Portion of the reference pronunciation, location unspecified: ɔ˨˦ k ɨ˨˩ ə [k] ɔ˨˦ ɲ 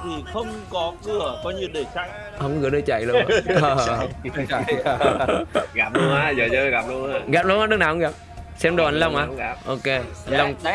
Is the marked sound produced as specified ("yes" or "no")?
yes